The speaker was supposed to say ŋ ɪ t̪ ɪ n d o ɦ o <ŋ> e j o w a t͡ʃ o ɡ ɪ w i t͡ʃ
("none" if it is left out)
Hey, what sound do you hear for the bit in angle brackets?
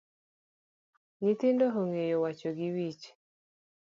ŋ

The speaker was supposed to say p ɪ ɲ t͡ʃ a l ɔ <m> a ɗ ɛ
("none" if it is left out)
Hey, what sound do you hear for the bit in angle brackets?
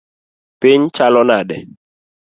n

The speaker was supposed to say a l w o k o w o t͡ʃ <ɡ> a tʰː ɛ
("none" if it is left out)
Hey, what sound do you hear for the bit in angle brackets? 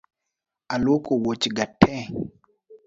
ɡ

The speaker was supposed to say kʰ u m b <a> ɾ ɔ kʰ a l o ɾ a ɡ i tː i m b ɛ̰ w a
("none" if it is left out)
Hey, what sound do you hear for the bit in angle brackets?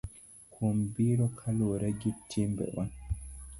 i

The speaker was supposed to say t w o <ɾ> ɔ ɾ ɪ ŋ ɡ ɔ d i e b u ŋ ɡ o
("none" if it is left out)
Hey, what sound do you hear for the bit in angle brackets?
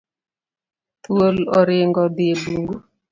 l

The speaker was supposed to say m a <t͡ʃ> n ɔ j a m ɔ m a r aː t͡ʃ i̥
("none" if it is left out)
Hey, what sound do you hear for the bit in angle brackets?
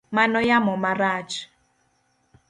none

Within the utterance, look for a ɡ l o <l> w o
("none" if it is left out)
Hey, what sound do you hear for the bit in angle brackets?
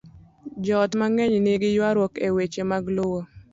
none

